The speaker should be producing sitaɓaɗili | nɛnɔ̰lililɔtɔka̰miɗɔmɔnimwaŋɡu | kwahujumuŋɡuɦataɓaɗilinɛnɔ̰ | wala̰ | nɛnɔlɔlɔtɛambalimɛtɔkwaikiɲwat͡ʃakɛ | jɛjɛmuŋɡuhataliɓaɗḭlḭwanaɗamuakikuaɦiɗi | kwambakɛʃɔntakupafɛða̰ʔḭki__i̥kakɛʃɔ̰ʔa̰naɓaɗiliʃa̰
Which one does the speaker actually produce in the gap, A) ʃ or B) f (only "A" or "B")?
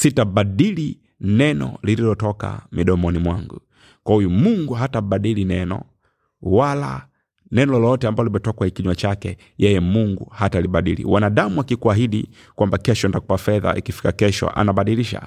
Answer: B